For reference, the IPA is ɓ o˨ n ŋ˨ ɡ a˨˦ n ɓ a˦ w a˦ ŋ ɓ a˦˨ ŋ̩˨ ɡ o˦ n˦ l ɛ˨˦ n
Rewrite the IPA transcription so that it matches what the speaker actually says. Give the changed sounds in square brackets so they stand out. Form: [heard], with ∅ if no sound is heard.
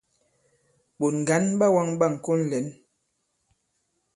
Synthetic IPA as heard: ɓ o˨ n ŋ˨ ɡ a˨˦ n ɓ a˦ w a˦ ŋ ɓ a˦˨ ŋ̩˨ [k] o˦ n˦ l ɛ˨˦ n